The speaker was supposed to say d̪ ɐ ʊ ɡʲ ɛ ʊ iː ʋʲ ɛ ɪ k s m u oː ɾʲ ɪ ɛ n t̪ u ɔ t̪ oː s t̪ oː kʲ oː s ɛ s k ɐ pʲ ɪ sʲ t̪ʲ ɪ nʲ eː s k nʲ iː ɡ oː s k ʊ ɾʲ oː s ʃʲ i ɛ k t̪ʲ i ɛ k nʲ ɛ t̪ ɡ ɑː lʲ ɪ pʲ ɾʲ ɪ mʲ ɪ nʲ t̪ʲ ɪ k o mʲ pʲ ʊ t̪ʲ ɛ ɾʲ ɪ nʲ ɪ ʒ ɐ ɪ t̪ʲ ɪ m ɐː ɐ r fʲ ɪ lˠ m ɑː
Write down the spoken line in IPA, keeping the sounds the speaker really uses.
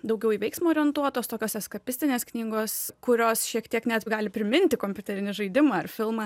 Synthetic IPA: d̪ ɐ ʊ ɡʲ ɛ ʊ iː ʋʲ ɛ ɪ k s m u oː ɾʲ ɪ ɛ n t̪ u ɔ t̪ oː s t̪ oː kʲ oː s ɛ s k ɐ pʲ ɪ sʲ t̪ʲ ɪ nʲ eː s k nʲ iː ɡ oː s k ʊ ɾʲ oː s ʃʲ i ɛ k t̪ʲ i ɛ k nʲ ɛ t̪ ɡ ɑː lʲ ɪ pʲ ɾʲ ɪ mʲ ɪ nʲ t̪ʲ ɪ k o mʲ pʲ ʊ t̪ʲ ɛ ɾʲ ɪ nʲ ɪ ʒ ɐ ɪ d̪ʲ ɪ m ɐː ɐ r fʲ ɪ lˠ m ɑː